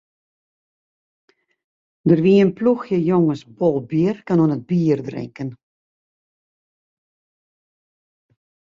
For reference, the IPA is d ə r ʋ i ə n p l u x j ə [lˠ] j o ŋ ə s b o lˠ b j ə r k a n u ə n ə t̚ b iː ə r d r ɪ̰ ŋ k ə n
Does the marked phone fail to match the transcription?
yes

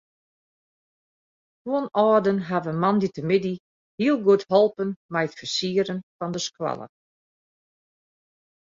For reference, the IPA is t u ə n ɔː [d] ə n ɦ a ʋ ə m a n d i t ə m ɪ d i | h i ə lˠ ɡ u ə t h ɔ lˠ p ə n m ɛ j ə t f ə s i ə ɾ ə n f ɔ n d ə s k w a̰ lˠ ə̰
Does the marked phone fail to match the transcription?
no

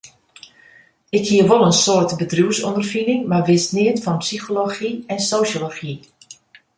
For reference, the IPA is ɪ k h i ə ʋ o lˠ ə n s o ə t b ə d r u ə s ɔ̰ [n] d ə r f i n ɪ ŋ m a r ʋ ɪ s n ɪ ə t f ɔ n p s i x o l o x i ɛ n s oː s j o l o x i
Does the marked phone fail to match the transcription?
no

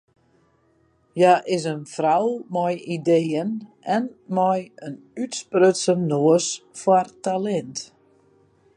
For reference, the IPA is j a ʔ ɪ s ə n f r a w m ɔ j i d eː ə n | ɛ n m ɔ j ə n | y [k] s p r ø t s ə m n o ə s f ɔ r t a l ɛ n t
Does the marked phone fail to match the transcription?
yes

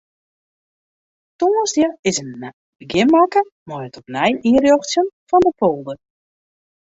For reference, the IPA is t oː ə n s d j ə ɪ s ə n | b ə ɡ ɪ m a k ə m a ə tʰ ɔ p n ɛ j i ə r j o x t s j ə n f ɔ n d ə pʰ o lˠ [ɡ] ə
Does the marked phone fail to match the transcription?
yes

